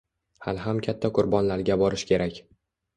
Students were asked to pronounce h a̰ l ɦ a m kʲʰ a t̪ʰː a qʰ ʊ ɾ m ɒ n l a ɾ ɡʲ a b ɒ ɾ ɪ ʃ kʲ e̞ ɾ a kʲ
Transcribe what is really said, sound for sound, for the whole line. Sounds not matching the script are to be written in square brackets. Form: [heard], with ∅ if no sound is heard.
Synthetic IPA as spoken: h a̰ l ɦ a m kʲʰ a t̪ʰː a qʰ ʊ ɾ [b] ɒ n l a ɾ ɡʲ a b ɒ ɾ ɪ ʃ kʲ e̞ ɾ a kʲ